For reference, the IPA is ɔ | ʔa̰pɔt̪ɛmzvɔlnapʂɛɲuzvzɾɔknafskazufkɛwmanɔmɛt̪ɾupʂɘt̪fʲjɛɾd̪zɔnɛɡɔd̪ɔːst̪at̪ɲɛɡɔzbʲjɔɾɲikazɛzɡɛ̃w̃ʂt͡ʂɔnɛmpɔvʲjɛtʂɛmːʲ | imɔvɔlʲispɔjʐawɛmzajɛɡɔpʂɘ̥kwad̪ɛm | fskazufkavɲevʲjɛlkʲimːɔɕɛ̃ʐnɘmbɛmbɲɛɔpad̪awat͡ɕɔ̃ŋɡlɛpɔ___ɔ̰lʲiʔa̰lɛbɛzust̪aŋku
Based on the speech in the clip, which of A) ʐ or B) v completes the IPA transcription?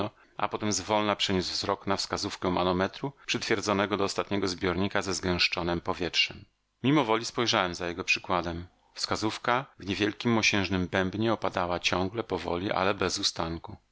B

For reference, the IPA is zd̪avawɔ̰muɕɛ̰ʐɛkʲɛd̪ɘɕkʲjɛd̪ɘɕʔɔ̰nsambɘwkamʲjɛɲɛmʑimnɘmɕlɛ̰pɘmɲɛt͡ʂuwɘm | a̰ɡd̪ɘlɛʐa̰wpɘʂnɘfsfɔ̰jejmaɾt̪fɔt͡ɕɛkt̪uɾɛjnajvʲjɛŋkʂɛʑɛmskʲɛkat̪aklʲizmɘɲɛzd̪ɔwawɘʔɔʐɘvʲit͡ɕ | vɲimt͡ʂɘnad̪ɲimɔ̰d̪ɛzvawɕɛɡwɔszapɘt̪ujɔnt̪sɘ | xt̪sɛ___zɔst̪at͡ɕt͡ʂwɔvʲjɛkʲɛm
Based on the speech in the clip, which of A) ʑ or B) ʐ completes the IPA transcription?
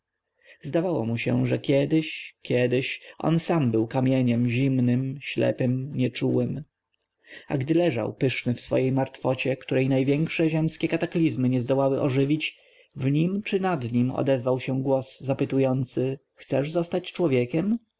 B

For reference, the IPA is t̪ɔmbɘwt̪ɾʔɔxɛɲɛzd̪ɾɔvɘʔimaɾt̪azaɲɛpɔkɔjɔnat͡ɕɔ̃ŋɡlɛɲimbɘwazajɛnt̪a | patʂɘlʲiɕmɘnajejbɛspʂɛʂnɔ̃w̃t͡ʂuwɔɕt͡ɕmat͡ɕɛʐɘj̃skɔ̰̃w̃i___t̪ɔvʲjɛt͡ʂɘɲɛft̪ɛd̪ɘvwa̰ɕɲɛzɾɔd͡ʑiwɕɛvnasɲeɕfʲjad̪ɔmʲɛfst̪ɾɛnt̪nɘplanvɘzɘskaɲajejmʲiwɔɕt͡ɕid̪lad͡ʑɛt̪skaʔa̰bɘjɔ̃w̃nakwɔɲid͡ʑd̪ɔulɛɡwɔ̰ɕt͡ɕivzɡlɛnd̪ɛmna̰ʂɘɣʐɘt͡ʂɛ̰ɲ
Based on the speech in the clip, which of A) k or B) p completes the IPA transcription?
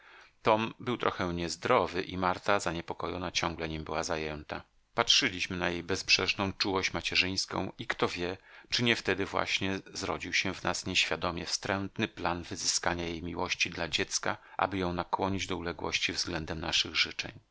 A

